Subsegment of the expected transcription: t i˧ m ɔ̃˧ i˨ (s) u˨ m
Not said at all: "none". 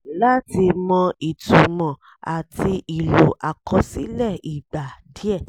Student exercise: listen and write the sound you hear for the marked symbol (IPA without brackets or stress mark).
t